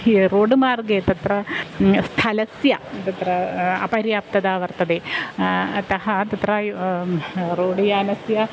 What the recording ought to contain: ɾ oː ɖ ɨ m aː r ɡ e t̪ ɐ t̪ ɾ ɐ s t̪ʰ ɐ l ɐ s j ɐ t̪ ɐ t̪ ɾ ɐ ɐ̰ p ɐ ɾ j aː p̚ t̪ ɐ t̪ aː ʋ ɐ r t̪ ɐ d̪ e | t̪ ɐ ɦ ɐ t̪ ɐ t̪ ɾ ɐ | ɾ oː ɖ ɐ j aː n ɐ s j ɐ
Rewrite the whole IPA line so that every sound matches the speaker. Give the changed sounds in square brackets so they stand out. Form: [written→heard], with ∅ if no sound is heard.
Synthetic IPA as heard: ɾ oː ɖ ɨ m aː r ɡ e t̪ ɐ t̪ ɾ ɐ s t̪ʰ ɐ l ɐ s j ɐ t̪ ɐ t̪ ɾ ɐ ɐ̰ p ɐ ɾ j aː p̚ t̪ ɐ [t̪→d̪] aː ʋ ɐ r t̪ ɐ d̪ e | t̪ ɐ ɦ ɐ t̪ ɐ t̪ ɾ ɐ | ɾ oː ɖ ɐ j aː n ɐ s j ɐ